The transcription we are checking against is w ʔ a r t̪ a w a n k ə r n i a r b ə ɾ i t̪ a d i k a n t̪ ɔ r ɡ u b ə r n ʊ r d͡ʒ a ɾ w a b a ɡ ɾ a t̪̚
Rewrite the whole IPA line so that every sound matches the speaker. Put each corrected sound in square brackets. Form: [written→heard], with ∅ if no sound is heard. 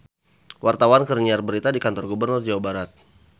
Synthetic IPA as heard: w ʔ a r t̪ a w a n k ə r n i a r b ə ɾ i t̪ a d i k a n t̪ ɔ r ɡ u b ə r n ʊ r d͡ʒ a [ɾ→∅] w a b a [ɡ→∅] ɾ a t̪̚